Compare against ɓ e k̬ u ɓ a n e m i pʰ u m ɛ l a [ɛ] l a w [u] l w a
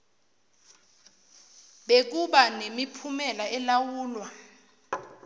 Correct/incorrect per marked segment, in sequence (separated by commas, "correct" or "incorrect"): correct, incorrect